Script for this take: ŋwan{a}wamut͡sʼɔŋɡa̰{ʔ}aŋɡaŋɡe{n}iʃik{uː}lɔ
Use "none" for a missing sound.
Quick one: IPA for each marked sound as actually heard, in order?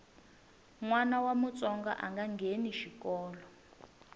a, ʔ, n, ɔː

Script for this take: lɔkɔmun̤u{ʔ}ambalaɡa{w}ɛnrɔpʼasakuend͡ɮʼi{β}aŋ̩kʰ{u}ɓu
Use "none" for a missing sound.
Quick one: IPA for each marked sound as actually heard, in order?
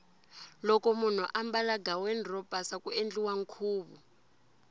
ʔ, w, w, uː

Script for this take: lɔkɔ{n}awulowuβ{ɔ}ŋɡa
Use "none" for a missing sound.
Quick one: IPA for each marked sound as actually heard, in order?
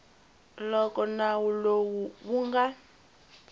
n, u

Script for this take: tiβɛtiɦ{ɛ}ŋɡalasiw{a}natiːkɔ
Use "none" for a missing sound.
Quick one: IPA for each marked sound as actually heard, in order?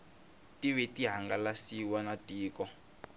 a, a

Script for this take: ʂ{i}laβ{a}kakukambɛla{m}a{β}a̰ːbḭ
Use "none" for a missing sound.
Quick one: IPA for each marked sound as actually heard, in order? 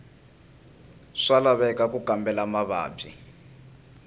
a, ɛ, m, β

